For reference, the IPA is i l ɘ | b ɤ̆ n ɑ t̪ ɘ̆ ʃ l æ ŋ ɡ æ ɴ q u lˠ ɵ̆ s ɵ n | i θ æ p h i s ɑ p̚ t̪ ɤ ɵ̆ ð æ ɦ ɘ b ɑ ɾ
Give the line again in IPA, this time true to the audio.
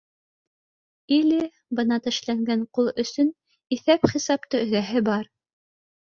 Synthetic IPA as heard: i l ɘ | b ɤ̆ n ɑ t̪ ɘ̆ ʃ l æ ŋ ɡ æ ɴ q u lˠ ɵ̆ s ɵ n | i θ æ p χ i s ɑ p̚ t̪ ɤ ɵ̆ ð æ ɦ ɘ b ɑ ɾ